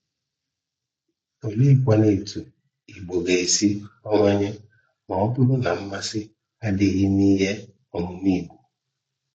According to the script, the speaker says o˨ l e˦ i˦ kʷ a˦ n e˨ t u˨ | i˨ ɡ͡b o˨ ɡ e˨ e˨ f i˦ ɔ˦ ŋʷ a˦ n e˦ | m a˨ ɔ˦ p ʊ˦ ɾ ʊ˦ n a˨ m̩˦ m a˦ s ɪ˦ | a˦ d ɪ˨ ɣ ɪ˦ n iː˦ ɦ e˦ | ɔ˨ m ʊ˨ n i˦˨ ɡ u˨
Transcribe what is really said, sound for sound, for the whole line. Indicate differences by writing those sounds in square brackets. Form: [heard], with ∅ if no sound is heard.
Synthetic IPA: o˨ l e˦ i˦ kʷ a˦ n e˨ t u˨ | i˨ ɡ͡b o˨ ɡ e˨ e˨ [s] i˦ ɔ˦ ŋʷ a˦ [ɲ] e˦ | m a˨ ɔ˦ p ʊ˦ ɾ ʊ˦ n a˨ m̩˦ m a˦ s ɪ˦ | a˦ d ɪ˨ ɣ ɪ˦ n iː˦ ɦ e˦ | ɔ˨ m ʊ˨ n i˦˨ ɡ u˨